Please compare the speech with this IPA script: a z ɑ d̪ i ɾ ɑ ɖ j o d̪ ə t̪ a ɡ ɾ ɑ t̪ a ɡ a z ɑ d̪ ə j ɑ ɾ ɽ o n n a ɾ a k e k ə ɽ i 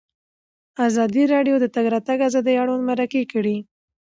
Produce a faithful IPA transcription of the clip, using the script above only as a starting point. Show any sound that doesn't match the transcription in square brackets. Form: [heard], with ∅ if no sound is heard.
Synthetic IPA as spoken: a z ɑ d̪ i ɾ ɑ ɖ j o d̪ ə t̪ a ɡ ɾ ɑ t̪ a ɡ a z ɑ d̪ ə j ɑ [∅] ɽ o n [m] a ɾ a k e k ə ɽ i